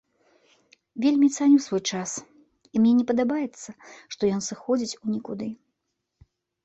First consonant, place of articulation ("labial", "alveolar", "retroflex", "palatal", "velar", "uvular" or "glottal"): labial